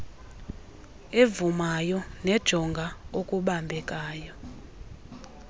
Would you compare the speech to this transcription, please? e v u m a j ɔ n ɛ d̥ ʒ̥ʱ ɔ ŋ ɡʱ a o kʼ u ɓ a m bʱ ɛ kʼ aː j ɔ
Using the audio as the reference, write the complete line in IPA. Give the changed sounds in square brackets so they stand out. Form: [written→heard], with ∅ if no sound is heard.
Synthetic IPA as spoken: e v u m a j ɔ n ɛ d̥ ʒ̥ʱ ɔ ŋ ɡʱ a o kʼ u ɓ a m bʱ ɛ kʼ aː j ɔ

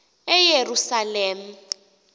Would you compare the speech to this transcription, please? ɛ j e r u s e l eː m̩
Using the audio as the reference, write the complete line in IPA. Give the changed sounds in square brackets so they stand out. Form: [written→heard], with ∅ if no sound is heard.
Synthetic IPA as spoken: ɛ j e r u s [e→a] l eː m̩

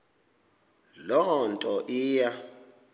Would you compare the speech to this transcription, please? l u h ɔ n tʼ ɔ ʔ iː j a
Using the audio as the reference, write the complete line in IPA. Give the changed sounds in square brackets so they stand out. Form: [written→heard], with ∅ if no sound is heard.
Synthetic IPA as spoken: l [u→ɔ] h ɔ n tʼ ɔ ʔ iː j a

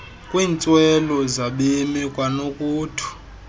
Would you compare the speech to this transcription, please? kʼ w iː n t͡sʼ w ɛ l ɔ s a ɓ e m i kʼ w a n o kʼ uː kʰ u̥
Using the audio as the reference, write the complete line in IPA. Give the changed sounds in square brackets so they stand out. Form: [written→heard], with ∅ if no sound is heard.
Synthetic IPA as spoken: kʼ w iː n t͡sʼ w ɛ l ɔ [s→z] a ɓ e m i kʼ w a n o kʼ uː [kʰ→tʰ] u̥

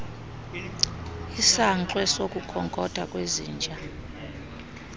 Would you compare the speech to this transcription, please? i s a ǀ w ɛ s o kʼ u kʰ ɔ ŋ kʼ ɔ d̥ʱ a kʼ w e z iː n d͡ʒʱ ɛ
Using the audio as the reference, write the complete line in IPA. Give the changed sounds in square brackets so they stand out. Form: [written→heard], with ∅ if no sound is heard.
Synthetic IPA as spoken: i s a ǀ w ɛ s o kʼ u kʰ ɔ ŋ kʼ ɔ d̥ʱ a kʼ w e z iː n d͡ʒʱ [ɛ→a]

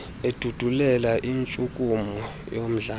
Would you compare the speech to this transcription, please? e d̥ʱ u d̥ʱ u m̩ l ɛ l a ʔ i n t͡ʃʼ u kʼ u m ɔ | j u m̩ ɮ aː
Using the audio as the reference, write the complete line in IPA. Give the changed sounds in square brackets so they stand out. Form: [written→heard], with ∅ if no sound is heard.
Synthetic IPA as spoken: e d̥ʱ u d̥ʱ u [m̩→∅] l ɛ l a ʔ i n t͡ʃʼ u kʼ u m ɔ | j [u→o] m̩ ɮ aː

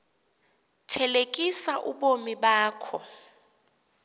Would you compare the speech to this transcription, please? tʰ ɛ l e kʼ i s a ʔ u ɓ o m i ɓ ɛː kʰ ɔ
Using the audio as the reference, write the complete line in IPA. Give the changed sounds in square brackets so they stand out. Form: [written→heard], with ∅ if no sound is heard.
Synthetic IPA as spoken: tʰ ɛ l e kʼ i s a ʔ u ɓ o m i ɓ [ɛː→aː] kʰ ɔ

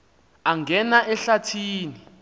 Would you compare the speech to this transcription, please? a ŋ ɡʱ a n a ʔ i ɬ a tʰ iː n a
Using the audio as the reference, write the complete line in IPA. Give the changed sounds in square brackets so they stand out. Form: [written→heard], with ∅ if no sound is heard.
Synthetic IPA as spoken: a ŋ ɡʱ [a→ɛ] n a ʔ [i→ɛ] ɬ a tʰ iː n [a→i]

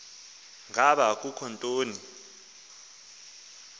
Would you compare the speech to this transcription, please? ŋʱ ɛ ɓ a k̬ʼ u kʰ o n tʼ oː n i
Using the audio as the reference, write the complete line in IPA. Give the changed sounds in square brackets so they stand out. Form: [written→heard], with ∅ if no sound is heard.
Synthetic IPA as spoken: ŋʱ [ɛ→a] ɓ a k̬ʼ u kʰ [o→ɔ] n tʼ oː n i

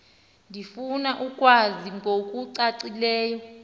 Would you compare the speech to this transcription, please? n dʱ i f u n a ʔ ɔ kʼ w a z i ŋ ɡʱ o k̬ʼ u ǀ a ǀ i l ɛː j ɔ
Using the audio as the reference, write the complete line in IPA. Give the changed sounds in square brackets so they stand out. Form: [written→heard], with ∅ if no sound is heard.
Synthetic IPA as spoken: n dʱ i f u n a ʔ [ɔ→u] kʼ w a z i ŋ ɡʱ o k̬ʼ u ǀ a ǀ i l ɛː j ɔ

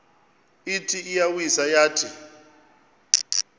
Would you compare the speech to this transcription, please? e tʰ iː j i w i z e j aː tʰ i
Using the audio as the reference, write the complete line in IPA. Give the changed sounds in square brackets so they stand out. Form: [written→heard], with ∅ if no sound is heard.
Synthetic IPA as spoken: [e→i] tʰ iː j [i→a] w i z [e→a] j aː tʰ i

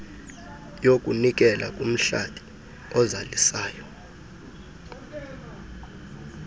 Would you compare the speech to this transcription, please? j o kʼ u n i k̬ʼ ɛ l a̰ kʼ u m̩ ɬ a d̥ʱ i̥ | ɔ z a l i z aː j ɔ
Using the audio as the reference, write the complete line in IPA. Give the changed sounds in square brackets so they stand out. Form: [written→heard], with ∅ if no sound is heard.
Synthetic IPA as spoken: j o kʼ u n i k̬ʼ ɛ l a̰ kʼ u m̩ ɬ a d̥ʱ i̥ | ɔ z a l i [z→s] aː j ɔ

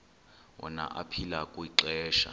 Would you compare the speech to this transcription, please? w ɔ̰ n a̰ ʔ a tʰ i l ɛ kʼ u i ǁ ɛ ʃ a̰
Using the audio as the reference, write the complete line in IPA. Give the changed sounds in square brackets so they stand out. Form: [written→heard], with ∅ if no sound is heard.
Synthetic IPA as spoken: w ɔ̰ n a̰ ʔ a [tʰ→pʰ] i l [ɛ→a] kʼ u i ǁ [ɛ→ɛː] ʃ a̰

